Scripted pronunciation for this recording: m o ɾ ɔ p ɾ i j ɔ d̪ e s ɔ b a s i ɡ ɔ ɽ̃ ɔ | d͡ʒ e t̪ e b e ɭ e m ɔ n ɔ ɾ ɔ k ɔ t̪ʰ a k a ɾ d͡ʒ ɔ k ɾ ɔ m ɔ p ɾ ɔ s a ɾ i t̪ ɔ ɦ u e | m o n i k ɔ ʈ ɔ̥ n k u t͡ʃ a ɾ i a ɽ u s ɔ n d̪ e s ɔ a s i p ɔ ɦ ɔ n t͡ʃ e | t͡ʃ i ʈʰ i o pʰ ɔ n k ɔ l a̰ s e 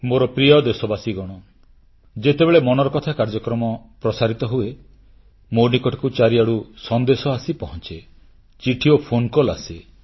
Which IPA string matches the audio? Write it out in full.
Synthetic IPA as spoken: m o ɾ ɔ p ɾ i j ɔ d̪ e s ɔ b a s i ɡ ɔ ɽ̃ ɔ | d͡ʒ e t̪ e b e ɭ e m ɔ n ɔ ɾ ɔ k ɔ t̪ʰ a k a ɾ d͡ʒ ɔ k ɾ ɔ m ɔ p ɾ ɔ s a ɾ i t̪ ɔ ɦ u e | m o n i k ɔ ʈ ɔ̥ k u t͡ʃ a ɾ i a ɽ u s ɔ n d̪ e s ɔ a s i p ɔ ɦ ɔ n t͡ʃ e | t͡ʃ i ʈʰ i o pʰ o n k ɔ l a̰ s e

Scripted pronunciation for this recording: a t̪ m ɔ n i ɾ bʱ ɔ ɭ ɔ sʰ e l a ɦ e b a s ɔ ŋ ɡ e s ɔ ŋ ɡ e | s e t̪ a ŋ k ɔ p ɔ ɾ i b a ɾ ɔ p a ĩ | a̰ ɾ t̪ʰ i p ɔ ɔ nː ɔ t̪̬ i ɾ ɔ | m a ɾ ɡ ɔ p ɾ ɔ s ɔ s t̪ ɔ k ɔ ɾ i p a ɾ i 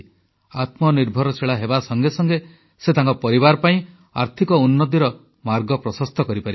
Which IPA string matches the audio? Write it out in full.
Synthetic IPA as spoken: a t̪ m ɔ n i ɾ bʱ ɔ ɾ ɔ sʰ e ɭ a ɦ e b a s ɔ ŋ ɡ e s ɔ ŋ ɡ e | s e t̪ a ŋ k ɔ p ɔ ɾ i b a ɾ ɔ p a ĩ | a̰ ɾ t̪ʰ i k ɔ u nː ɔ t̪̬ i ɾ ɔ | m a ɾ ɡ ɔ p ɾ ɔ s ɔ s t̪ ɔ k ɔ ɾ i p a ɾ i

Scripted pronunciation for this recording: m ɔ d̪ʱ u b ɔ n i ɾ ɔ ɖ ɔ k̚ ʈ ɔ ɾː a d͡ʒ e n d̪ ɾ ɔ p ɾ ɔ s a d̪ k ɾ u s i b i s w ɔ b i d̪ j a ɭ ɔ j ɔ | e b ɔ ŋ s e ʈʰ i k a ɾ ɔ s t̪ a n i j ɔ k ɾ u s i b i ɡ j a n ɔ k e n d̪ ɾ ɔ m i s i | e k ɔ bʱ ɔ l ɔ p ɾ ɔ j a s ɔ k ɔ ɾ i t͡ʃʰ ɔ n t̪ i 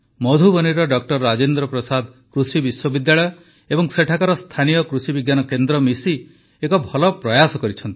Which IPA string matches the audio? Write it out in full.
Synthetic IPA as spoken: m ɔ d̪ʱ u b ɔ n i ɾ ɔ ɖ ɔ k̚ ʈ ɔ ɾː a d͡ʒ e n d̪ ɾ ɔ p ɾ ɔ s a d̪ k ɾ u s i b i s w ɔ b i d̪ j a ɭ ɔ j ɔ | e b ɔ ŋ s e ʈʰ a k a ɾ ɔ s t̪ʰ a n i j ɔ k ɾ u s i b i ɡ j a n ɔ k e n d̪ ɾ ɔ m i s i | e k ɔ bʱ ɔ l ɔ p ɾ ɔ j a s ɔ k ɔ ɾ i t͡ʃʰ ɔ n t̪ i

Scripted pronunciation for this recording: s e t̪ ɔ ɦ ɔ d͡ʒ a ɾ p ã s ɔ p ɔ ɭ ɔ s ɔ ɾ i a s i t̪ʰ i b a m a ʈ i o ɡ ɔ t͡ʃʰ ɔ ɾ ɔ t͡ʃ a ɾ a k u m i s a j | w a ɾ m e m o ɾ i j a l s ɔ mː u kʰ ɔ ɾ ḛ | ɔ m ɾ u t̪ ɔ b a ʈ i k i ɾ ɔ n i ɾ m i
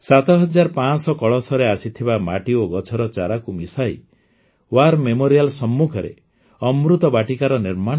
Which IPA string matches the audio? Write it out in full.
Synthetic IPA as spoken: s a t̪ ɔ ɦ ɔ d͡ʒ a ɾ p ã s ɔ k ɔ ɭ ɔ s ɔ ɾ e a s i t̪ʰ i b a m a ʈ i o ɡ ɔ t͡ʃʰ ɔ ɾ ɔ t͡ʃ a ɾ a k u m i s a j | w a ɾ m e m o ɾ i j a l s ɔ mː u kʰ ɔ ɾ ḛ | ɔ m ɾ u t̪ ɔ b a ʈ i k a ɾ ɔ n i ɾ m a

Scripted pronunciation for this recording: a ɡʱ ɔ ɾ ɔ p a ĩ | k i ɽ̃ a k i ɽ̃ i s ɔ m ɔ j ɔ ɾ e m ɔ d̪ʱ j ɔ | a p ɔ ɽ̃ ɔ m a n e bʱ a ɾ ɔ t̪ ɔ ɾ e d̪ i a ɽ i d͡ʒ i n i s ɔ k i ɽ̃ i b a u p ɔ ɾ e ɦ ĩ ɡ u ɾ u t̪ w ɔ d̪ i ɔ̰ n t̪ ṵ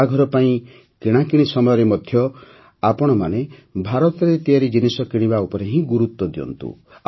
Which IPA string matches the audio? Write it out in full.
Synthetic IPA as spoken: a ɡʱ ɔ ɾ ɔ p a ĩ | k i ɽ̃ a k i ɽ̃ i s ɔ m ɔ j ɔ ɾ e m ɔ d̪ʱ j ɔ | a p ɔ ɽ̃ ɔ m a n e bʱ a ɾ ɔ t̪ ɔ ɾ e t̪ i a ɾ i d͡ʒ i n i s ɔ k i ɽ̃ i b a u p ɔ ɾ e ɦ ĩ ɡ u ɾ u t̪ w ɔ d̪ i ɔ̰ n t̪ ṵ

